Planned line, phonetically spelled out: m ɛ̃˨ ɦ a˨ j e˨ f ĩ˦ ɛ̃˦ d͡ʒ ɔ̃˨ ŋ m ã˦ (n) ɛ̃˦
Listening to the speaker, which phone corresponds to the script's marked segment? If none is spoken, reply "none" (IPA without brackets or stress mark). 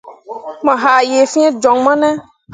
n